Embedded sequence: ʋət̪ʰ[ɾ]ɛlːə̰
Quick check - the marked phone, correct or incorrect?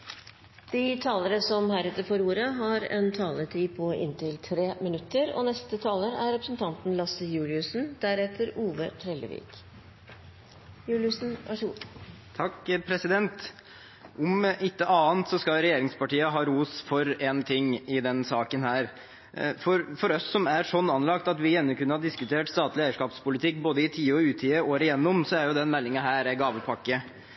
correct